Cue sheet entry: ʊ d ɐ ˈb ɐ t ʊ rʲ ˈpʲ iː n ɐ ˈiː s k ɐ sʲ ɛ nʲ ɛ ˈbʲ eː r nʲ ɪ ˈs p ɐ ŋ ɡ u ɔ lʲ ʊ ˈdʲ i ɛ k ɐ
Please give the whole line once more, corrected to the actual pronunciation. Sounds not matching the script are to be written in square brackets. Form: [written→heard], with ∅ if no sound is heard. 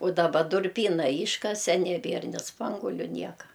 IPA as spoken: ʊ d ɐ ˈb ɐ [t→d] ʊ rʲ ˈpʲ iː n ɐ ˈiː [s→ʃ] k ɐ sʲ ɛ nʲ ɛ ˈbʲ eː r nʲ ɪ ˈs p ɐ ŋ ɡ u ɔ lʲ ʊ [ˈdʲ→ˈnʲ] i ɛ k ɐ

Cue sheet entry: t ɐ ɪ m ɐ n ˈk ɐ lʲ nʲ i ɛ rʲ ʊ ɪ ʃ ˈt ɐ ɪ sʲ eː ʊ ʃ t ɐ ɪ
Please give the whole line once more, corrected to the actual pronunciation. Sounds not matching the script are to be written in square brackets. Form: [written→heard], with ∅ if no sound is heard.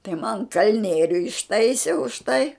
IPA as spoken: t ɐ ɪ m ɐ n ˈk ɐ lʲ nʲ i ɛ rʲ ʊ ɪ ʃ ˈt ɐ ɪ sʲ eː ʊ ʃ t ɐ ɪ

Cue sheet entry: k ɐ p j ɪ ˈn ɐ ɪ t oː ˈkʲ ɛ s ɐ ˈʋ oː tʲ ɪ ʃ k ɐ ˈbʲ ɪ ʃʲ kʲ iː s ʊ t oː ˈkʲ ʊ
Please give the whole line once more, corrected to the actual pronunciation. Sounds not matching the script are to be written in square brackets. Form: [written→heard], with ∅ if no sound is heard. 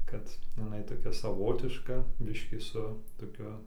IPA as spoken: k ɐ [p→t] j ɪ ˈn ɐ ɪ t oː ˈkʲ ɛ s ɐ ˈʋ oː tʲ ɪ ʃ k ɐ ˈbʲ ɪ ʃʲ kʲ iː s ʊ t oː ˈkʲ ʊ

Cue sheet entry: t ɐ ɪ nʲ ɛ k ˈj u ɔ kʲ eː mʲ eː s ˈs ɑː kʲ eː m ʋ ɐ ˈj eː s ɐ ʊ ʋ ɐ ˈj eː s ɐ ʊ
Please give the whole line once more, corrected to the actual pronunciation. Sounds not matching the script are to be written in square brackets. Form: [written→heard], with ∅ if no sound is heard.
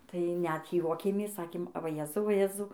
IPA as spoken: t ɐ ɪ nʲ ɛ [k→t] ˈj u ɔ kʲ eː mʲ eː s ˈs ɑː kʲ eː m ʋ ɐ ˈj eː [s→z] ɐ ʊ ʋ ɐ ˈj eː [s→z] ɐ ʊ

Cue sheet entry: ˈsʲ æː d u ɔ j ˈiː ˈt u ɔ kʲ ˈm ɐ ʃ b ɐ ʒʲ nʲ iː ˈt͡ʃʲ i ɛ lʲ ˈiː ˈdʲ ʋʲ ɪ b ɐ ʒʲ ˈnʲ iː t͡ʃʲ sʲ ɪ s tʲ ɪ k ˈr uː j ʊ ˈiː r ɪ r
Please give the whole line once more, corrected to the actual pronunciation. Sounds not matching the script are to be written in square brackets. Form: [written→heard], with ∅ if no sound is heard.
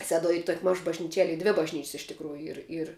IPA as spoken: ˈsʲ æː d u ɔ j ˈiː ˈt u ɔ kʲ ˈm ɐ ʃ b ɐ ʒʲ nʲ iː ˈt͡ʃʲ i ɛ lʲ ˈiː ˈdʲ ʋʲ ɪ b ɐ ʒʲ ˈnʲ iː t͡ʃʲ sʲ ɪ [s→ʃ] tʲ ɪ k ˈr uː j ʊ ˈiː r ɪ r

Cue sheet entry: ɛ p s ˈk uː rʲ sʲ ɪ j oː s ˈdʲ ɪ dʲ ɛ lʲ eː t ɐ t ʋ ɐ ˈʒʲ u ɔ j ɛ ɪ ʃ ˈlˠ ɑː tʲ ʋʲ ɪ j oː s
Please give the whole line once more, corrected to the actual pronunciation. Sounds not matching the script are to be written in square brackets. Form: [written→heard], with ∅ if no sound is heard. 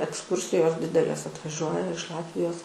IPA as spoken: ɛ [p→k] s ˈk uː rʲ sʲ ɪ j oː s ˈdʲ ɪ dʲ ɛ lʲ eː [t→s] ɐ t ʋ ɐ ˈʒʲ u ɔ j ɛ ɪ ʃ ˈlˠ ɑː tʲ ʋʲ ɪ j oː s

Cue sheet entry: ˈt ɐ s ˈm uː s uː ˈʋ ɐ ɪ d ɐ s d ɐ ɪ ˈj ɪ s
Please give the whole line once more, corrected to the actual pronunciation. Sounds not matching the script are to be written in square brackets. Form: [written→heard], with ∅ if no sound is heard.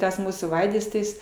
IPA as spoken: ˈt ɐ s ˈm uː s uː ˈʋ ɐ ɪ d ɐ s [d→t] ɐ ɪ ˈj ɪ s

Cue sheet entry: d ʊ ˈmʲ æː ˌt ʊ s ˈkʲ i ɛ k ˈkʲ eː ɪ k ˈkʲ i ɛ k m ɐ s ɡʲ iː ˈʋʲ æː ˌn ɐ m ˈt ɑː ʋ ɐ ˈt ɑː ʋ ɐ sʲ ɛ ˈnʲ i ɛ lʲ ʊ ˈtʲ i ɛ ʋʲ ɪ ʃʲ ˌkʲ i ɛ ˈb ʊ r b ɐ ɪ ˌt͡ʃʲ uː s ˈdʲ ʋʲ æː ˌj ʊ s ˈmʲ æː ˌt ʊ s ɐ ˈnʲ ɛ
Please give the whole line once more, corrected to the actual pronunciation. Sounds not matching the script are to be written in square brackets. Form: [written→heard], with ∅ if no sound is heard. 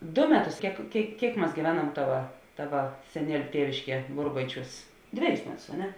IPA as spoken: d ʊ ˈmʲ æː ˌt ʊ s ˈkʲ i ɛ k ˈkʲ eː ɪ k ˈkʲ i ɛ k m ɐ s ɡʲ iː ˈʋʲ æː ˌn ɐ m ˈt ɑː ʋ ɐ ˈt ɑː ʋ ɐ sʲ ɛ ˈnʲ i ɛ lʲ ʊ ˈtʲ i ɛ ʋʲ ɪ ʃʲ ˌkʲ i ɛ ˈb ʊ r b ɐ ɪ ˌt͡ʃʲ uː s ˈdʲ ʋʲ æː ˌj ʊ s ˈmʲ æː ˌt ʊ s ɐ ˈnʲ ɛ

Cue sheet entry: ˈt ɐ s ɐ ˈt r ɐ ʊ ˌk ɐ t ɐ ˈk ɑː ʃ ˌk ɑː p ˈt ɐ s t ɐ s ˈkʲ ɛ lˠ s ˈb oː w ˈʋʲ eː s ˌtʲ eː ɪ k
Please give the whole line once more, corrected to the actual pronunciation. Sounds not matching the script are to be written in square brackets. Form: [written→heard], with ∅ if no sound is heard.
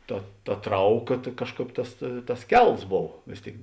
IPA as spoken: ˈt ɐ [s→t] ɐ ˈt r ɐ ʊ ˌk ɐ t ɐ ˈk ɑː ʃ ˌk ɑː p ˈt ɐ s t ɐ s ˈkʲ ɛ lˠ s ˈb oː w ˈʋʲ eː s ˌtʲ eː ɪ k

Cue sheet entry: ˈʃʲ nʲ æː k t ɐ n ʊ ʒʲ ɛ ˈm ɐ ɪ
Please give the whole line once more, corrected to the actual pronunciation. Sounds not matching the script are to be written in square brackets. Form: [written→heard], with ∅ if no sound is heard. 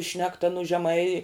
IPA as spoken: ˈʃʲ nʲ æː k t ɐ n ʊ ʒʲ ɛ ˈm ɐ ɪ

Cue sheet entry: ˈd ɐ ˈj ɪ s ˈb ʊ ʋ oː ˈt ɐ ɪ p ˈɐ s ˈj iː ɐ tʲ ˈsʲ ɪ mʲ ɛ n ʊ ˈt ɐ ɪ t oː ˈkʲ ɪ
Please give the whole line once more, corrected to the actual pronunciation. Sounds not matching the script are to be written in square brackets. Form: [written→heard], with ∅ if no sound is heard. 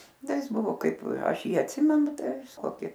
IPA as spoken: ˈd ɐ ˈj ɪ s ˈb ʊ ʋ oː [ˈt→ˈk] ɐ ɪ p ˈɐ [s→ʃ] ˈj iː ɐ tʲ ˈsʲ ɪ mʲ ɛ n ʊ ˈt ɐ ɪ [t→k] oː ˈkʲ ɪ

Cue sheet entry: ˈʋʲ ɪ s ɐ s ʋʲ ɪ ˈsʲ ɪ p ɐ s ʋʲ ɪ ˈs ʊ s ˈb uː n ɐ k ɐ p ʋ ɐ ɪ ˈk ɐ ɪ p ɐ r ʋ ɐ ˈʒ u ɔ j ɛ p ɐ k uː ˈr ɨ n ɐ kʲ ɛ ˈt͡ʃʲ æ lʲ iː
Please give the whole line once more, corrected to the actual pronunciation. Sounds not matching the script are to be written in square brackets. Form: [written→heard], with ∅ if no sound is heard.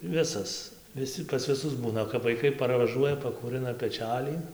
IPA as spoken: ˈʋʲ ɪ s ɐ s ʋʲ ɪ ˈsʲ ɪ p ɐ s ʋʲ ɪ ˈs ʊ s ˈb uː n ɐ k ɐ p ʋ ɐ ɪ ˈk ɐ ɪ p ɐ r ʋ ɐ ˈʒ u ɔ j ɛ p ɐ k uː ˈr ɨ n ɐ [kʲ→pʲ] ɛ ˈt͡ʃʲ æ lʲ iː

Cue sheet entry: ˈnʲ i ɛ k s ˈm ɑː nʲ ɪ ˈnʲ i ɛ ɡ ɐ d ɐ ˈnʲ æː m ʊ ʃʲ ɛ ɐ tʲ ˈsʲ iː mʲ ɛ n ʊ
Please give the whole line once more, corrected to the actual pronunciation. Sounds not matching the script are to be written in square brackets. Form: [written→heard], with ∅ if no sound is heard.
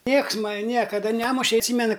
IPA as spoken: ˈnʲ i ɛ k s ˈm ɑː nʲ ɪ ˈnʲ i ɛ [ɡ→k] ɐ d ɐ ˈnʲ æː m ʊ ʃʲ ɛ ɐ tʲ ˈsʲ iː mʲ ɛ n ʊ

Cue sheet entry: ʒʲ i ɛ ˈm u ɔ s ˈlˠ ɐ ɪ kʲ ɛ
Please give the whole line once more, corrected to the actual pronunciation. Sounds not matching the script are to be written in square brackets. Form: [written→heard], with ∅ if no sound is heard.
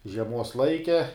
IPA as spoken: ʒʲ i ɛ ˈm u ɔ s ˈlˠ ɐ ɪ kʲ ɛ

